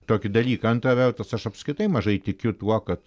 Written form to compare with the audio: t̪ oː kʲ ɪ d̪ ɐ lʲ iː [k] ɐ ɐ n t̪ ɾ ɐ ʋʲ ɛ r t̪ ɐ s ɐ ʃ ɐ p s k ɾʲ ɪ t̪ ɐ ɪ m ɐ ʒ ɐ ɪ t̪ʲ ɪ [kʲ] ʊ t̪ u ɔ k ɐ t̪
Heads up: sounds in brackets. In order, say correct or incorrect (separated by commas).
correct, correct